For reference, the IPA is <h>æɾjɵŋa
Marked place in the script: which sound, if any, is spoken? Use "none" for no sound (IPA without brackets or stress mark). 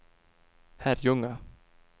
h